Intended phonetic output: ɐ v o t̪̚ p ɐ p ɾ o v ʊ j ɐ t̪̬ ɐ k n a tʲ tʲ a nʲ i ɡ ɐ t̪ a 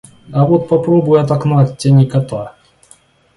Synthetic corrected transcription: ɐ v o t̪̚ p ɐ p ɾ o b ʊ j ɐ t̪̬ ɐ k n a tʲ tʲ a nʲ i k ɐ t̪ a